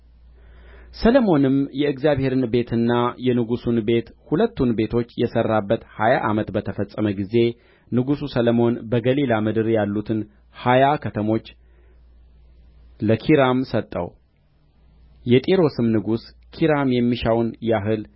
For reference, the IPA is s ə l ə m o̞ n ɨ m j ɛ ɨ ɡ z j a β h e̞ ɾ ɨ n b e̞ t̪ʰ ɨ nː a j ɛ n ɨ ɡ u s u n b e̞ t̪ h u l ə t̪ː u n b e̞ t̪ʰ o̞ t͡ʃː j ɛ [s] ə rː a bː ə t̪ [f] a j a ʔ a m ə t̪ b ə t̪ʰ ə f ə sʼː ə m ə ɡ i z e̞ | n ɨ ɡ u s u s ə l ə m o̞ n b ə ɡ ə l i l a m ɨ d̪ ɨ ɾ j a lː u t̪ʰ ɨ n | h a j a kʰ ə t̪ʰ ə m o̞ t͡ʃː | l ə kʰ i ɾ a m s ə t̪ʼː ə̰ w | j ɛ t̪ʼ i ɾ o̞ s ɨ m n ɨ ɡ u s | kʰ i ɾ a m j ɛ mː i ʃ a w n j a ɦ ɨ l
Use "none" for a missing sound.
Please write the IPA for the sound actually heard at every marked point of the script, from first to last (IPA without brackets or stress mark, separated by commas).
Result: s, h